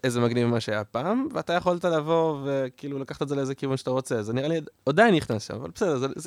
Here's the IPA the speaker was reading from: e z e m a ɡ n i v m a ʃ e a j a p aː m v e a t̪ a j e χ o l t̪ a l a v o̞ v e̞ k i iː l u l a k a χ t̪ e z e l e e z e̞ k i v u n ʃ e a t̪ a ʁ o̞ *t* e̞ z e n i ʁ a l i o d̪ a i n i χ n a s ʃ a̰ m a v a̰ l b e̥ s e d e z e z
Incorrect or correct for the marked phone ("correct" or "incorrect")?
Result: incorrect